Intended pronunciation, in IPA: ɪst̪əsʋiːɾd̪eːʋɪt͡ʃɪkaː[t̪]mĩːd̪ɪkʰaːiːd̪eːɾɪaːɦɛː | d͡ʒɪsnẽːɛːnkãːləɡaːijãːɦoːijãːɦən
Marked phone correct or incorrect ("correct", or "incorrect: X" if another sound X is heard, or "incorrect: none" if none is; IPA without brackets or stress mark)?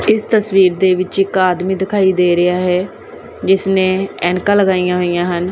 incorrect: d̪